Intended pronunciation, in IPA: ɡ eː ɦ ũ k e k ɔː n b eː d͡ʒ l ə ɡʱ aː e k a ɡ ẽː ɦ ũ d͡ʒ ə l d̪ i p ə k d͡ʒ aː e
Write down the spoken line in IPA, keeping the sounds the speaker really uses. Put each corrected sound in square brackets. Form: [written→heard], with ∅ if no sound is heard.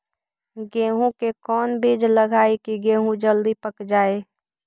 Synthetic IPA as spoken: ɡ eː ɦ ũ k e k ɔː n b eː d͡ʒ l ə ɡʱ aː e k [a→i] ɡ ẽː ɦ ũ d͡ʒ ə l d̪ i p ə k d͡ʒ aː e